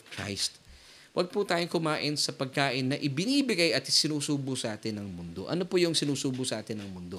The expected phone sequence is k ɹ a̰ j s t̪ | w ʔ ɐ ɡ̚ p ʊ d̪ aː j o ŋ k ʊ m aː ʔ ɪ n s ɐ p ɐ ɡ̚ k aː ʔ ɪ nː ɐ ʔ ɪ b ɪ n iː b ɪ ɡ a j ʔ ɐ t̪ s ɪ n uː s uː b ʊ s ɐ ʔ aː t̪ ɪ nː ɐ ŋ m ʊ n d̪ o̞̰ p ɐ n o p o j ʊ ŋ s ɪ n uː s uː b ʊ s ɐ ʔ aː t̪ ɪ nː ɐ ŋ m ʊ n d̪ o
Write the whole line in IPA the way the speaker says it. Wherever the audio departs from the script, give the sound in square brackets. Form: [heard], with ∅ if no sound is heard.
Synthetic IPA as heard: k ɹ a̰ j s t̪ | w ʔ ɐ ɡ̚ p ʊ [t̪] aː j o ŋ k ʊ m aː ʔ ɪ n s ɐ p ɐ ɡ̚ k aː ʔ ɪ nː ɐ ʔ ɪ b ɪ n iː b ɪ ɡ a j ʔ ɐ t̪ s ɪ n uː s uː b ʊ s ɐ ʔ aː t̪ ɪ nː ɐ ŋ m ʊ n d̪ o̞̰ [ʔ] ɐ n o p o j ʊ ŋ s ɪ n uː s uː b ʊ s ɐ ʔ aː t̪ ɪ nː ɐ ŋ m ʊ n d̪ o